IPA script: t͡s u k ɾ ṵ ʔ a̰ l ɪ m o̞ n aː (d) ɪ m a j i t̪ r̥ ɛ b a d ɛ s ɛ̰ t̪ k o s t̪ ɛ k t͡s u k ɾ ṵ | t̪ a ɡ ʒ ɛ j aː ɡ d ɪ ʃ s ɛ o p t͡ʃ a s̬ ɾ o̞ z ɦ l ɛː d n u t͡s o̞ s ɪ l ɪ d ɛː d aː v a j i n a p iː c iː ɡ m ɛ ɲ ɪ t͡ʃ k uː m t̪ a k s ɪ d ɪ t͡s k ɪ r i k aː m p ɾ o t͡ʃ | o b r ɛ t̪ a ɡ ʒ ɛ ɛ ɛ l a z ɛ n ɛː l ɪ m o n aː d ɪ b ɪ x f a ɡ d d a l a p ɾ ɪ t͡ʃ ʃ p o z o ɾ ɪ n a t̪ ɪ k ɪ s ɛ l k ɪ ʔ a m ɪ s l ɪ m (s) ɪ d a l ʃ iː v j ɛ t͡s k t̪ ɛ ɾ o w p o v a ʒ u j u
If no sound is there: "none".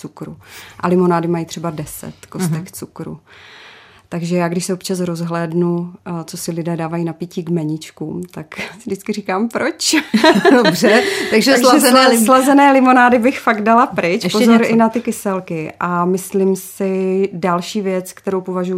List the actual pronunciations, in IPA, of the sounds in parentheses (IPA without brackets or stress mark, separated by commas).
d, s